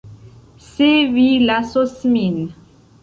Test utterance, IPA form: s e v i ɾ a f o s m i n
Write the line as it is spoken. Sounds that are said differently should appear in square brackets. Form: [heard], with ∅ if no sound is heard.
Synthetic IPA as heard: s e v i [l] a [s] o s m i n